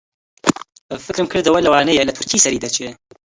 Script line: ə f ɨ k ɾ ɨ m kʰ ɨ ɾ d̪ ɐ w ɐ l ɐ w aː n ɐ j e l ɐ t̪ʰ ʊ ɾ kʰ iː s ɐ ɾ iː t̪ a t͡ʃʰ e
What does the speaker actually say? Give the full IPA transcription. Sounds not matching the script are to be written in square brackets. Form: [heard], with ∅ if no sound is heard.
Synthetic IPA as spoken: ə f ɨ k ɾ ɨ m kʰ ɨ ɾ d̪ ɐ w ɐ l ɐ w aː n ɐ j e l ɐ t̪ʰ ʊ ɾ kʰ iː s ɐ ɾ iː [d̪] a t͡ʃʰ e